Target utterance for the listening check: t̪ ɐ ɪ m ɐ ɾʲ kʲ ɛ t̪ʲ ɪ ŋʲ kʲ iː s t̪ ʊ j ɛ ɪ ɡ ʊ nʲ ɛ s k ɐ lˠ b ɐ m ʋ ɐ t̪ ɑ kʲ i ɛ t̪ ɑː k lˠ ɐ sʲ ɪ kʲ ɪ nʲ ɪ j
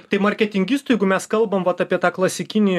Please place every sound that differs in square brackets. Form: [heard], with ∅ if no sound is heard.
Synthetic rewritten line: t̪ ɐ ɪ m ɐ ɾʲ kʲ ɛ t̪ʲ ɪ ŋʲ [ɡʲ] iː s t̪ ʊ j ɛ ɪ ɡ ʊ [mʲ] ɛ s k ɐ lˠ b ɐ m ʋ ɐ t̪ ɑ [pʲ] i ɛ t̪ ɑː k lˠ ɐ sʲ ɪ kʲ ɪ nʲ ɪ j